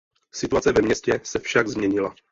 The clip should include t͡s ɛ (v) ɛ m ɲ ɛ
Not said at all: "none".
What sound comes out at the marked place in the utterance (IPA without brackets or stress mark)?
v